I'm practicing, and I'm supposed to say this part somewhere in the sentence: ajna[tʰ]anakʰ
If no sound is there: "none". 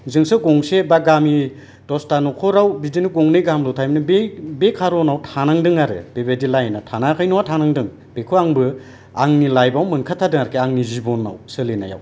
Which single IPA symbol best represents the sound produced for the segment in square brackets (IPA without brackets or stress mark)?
tʰ